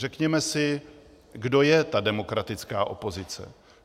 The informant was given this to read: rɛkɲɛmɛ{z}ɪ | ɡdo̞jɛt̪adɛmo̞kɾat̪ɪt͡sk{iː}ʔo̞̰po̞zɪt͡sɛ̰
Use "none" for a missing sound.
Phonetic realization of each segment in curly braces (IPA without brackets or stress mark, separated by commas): s, aː